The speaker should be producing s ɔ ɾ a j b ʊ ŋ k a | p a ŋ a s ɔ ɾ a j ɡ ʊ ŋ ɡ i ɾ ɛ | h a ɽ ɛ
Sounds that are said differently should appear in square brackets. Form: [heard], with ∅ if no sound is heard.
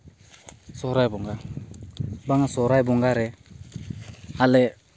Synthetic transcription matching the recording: s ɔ ɾ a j b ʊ ŋ [ɡ] a | [b] a ŋ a s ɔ ɾ a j [b] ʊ ŋ ɡ [a] ɾ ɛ | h a [l] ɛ